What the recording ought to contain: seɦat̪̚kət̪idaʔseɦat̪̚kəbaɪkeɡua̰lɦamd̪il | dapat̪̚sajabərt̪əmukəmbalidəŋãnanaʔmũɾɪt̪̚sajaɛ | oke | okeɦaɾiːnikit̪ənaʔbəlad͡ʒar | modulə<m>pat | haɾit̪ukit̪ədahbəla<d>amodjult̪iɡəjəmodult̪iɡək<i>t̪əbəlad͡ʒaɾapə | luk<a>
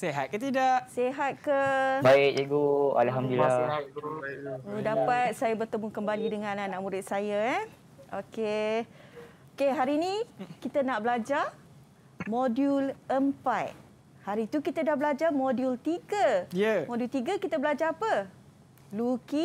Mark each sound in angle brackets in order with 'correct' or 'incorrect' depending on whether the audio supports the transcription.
correct, incorrect, correct, incorrect

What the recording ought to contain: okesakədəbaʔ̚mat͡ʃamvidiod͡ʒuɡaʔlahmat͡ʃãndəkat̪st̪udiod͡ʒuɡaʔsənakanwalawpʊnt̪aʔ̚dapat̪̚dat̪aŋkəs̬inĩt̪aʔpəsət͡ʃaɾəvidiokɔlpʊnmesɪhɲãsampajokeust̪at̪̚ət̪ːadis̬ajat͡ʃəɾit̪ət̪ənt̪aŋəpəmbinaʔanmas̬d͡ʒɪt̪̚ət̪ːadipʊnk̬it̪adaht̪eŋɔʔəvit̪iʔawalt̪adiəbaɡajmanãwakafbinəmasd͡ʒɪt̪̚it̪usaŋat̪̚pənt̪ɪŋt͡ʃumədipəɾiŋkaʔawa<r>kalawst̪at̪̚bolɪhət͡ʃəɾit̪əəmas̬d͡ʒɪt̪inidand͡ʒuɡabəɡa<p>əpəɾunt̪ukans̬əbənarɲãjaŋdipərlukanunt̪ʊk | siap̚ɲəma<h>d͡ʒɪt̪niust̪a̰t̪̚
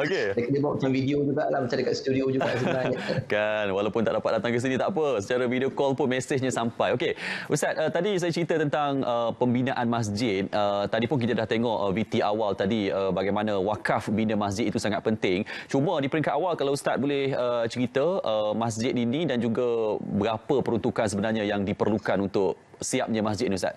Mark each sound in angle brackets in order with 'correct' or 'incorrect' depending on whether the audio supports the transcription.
incorrect, correct, incorrect

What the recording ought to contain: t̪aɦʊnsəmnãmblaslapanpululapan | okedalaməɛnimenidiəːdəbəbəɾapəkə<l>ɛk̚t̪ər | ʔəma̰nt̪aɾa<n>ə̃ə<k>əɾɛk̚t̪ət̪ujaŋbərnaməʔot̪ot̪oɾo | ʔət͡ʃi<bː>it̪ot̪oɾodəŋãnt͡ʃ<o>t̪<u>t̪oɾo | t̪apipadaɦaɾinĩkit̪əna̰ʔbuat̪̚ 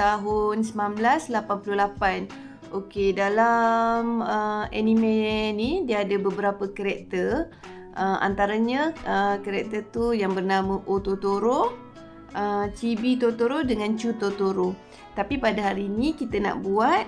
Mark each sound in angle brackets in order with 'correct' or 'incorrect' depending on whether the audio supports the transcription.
incorrect, incorrect, correct, incorrect, incorrect, incorrect

